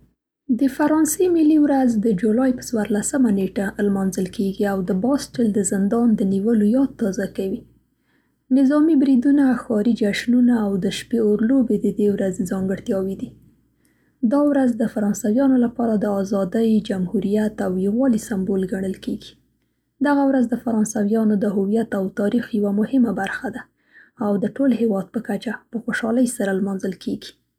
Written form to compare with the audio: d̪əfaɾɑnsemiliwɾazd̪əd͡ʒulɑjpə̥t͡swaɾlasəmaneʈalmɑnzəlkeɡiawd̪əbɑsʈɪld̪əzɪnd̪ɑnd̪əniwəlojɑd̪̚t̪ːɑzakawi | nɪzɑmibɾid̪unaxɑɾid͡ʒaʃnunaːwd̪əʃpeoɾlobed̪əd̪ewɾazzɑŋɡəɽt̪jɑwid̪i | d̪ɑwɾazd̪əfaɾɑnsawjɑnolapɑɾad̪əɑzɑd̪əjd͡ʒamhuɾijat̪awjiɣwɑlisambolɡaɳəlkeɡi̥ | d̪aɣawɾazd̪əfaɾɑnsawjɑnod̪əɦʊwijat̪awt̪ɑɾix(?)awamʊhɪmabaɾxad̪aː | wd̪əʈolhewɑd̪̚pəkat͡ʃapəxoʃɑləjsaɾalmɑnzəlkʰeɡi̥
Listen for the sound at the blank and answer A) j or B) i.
A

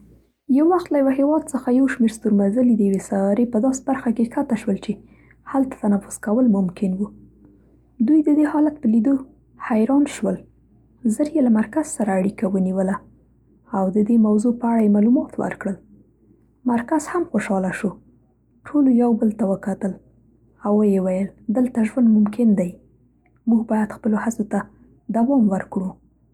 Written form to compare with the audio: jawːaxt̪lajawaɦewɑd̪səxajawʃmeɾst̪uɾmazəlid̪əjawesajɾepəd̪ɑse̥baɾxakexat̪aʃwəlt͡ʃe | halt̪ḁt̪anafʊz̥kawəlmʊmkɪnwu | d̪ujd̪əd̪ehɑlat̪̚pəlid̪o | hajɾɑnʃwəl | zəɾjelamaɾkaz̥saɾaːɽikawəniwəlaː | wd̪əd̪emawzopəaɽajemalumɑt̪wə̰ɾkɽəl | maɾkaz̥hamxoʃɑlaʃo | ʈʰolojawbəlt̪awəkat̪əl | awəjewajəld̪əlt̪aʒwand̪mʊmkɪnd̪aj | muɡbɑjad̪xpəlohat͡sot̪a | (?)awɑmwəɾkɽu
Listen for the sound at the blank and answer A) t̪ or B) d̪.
B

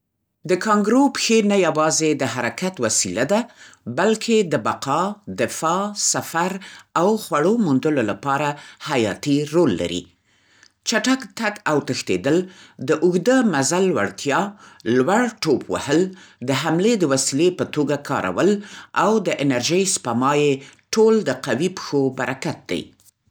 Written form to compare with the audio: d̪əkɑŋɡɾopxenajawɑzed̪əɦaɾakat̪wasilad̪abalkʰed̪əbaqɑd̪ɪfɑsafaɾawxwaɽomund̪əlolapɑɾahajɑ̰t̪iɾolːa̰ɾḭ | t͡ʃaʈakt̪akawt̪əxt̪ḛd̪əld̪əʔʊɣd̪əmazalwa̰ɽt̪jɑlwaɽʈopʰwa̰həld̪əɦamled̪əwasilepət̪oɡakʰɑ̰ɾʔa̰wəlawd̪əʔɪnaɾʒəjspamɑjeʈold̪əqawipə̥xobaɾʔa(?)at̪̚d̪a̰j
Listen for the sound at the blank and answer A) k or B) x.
A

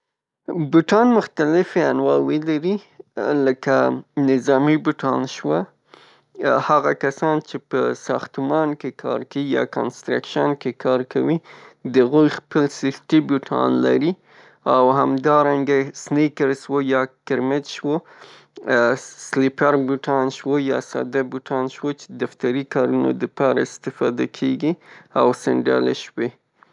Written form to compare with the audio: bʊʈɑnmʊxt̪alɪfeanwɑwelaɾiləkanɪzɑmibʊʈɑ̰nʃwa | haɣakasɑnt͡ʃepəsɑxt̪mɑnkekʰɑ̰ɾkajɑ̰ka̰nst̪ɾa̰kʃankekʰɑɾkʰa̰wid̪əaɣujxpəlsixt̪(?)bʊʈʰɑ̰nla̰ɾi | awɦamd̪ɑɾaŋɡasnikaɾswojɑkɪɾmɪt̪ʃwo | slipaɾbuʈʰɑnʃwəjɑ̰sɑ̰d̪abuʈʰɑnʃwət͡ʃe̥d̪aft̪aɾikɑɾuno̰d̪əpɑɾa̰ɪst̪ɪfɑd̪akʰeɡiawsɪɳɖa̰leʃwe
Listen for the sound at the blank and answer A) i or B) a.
A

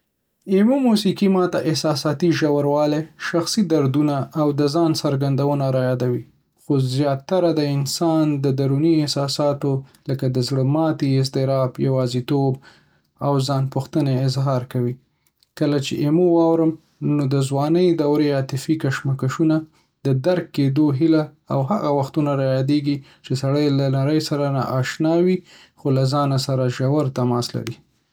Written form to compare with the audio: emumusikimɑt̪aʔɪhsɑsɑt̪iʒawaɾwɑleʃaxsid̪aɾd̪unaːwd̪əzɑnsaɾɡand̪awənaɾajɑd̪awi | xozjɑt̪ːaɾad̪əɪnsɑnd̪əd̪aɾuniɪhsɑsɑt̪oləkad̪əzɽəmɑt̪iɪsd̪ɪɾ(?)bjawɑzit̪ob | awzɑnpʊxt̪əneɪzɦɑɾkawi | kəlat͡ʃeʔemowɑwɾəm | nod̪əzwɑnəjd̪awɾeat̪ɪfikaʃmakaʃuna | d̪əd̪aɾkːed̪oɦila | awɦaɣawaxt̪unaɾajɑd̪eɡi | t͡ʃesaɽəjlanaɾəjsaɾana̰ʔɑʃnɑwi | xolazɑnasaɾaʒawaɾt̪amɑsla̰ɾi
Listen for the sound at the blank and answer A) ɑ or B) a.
A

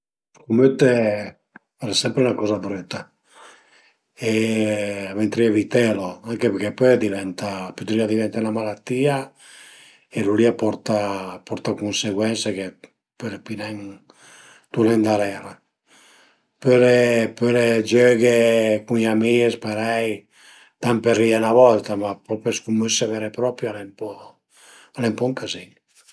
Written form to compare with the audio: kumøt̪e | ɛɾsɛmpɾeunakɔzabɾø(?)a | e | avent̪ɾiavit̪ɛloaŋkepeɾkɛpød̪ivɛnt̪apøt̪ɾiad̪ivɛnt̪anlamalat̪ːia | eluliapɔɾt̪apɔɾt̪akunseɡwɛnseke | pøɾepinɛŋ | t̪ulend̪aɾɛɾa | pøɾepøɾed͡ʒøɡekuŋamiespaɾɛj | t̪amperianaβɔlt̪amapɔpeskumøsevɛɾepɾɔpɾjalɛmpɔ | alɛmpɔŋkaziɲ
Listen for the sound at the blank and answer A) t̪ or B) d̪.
A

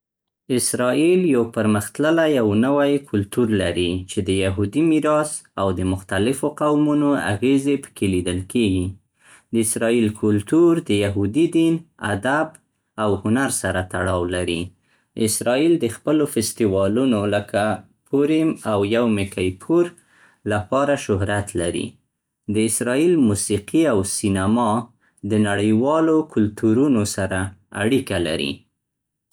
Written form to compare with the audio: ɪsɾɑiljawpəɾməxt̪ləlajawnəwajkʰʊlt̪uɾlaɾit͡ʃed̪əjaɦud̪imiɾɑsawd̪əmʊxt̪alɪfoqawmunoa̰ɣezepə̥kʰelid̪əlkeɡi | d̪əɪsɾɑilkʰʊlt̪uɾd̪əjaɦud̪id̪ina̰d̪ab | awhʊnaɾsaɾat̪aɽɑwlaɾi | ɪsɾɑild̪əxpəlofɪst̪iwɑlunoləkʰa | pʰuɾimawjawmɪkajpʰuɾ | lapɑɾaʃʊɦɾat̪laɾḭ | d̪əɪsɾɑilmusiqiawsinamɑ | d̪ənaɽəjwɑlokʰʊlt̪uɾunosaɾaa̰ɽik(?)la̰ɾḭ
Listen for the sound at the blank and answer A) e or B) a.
B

